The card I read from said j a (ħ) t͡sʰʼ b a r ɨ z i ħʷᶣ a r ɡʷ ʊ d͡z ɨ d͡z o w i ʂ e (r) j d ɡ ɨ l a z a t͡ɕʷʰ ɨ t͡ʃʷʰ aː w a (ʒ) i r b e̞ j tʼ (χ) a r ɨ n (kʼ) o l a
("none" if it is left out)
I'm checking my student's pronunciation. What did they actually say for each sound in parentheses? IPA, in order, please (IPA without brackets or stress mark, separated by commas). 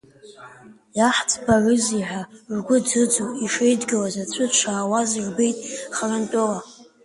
ħ, none, z, χ, tʼ